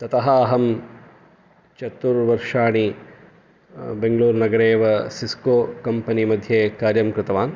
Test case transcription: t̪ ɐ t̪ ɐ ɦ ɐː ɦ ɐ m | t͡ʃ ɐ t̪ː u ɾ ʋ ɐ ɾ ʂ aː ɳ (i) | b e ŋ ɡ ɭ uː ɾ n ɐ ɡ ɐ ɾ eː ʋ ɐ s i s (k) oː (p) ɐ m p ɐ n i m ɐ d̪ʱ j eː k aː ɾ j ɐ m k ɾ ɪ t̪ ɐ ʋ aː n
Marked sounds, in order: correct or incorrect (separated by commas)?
correct, correct, incorrect